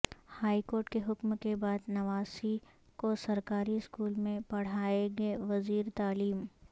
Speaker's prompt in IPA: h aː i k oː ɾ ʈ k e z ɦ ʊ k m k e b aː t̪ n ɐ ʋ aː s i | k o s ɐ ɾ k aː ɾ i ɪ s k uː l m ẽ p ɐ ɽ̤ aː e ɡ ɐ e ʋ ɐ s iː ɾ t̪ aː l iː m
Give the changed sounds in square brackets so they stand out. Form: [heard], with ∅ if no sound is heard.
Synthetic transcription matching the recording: h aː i k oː ɾ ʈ k e [∅] ɦ ʊ k m k e b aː [d̪] n ɐ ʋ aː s i | k o s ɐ ɾ k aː ɾ i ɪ s k uː l m ẽ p ɐ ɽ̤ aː e ɡ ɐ e ʋ ɐ [z] iː ɾ t̪ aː l iː m